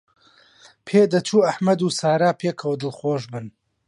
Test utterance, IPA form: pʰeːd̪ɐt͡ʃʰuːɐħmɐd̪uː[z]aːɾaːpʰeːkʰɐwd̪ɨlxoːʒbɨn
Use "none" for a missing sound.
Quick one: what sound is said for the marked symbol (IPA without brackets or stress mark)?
s